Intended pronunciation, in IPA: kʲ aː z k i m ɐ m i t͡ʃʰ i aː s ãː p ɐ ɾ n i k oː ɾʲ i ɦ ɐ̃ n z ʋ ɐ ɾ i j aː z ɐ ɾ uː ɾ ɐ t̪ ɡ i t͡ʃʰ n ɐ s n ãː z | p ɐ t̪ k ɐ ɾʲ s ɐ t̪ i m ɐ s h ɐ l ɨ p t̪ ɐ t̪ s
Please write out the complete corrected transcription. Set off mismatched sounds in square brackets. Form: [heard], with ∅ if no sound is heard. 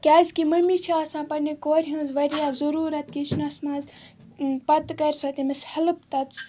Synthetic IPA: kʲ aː z k i m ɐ m i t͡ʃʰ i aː s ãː p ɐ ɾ n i k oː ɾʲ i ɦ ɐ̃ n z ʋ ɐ ɾ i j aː z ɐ ɾ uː ɾ ɐ t̪ [k] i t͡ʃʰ n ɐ s [m] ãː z | p ɐ t̪ k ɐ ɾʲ s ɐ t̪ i m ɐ s h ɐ l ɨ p t̪ ɐ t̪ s